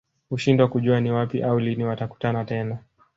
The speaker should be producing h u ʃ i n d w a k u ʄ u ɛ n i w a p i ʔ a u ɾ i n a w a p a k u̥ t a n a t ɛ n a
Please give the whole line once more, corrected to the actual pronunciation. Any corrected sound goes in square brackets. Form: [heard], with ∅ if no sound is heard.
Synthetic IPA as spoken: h u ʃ i n d w a k u ʄ u [a] n i w a p i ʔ a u [l] i n [i] w a [t] a k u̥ t a n a t ɛ n a